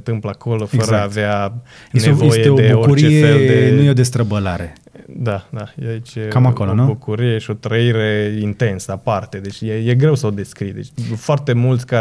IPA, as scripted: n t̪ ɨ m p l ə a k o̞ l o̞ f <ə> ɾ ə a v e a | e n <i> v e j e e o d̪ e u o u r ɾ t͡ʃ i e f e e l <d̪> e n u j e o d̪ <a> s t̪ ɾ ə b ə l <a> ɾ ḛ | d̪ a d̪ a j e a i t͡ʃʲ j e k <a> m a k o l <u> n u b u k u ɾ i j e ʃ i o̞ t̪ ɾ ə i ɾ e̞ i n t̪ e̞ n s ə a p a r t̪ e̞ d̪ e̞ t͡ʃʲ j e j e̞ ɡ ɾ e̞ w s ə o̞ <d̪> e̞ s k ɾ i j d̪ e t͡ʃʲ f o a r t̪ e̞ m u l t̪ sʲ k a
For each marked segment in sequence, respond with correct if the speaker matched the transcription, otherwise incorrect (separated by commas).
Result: correct, incorrect, correct, incorrect, correct, correct, incorrect, correct